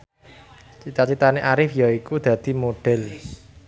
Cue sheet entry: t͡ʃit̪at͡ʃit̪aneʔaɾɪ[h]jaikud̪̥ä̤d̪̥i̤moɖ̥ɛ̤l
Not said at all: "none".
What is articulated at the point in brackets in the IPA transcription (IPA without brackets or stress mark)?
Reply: f